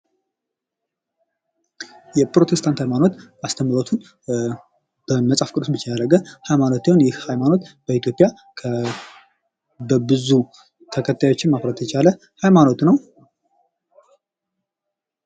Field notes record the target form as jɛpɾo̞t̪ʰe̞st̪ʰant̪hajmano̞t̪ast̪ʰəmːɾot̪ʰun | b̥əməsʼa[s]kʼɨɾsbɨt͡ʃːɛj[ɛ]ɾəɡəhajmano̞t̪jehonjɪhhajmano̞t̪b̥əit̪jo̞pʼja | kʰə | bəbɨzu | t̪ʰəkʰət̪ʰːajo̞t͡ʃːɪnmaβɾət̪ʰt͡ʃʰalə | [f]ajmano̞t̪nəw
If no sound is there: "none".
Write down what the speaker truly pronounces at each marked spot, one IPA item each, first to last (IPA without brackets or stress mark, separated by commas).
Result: f, a, h